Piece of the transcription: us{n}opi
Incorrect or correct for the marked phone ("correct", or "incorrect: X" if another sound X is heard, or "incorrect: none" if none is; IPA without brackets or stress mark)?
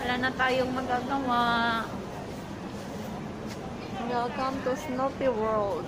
correct